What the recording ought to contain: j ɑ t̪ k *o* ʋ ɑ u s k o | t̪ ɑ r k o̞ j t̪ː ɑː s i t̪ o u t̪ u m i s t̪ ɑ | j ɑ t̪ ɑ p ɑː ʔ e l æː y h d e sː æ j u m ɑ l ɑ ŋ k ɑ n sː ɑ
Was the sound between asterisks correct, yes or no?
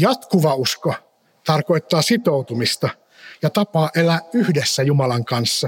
no